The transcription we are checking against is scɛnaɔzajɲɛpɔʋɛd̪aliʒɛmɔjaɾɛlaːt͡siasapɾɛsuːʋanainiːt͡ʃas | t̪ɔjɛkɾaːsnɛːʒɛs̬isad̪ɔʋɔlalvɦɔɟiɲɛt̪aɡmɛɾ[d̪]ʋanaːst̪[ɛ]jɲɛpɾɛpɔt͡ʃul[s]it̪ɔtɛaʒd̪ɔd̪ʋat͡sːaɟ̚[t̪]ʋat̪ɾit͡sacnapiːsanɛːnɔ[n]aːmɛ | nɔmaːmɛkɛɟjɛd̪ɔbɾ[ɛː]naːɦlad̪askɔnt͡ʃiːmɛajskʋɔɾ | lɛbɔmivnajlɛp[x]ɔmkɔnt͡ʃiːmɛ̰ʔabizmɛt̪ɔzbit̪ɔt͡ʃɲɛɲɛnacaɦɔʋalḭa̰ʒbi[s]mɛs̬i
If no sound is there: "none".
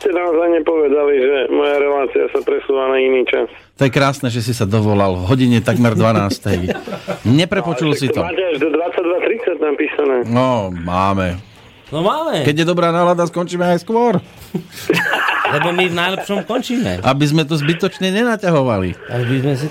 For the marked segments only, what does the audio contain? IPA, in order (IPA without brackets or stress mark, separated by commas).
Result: d̪, ɛ, s, d̪, m, aː, ʃ, z